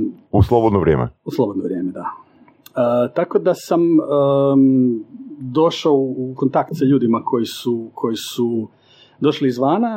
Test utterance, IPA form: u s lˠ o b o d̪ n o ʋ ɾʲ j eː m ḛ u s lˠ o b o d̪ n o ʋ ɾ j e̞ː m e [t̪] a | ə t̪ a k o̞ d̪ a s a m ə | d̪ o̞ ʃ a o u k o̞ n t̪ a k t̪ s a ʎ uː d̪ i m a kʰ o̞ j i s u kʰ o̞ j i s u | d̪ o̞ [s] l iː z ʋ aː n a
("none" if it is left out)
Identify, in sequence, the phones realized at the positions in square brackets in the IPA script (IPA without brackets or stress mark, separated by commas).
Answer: d̪, ʃ